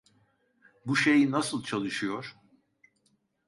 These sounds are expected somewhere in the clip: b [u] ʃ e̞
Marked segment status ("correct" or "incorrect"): correct